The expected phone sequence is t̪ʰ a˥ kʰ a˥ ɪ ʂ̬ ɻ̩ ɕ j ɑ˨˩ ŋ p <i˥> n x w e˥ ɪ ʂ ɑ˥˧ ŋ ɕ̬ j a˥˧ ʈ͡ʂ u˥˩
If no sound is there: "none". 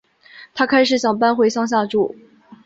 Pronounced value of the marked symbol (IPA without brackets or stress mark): a˥